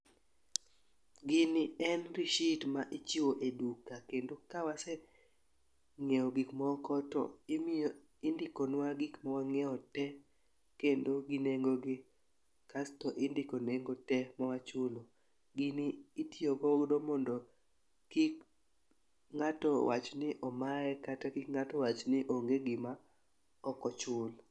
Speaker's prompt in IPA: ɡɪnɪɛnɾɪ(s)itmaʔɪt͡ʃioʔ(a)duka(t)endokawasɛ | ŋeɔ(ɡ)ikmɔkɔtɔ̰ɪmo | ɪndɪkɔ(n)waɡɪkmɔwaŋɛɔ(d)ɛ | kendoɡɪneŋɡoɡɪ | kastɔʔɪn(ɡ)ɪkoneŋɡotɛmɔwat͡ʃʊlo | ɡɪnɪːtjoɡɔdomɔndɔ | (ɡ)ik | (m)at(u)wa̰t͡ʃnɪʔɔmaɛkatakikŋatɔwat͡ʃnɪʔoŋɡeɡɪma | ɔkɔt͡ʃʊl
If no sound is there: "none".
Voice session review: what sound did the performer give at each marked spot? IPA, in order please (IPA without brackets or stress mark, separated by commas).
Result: ʃ, e, k, ɡ, n, t, d, k, ŋ, ɔ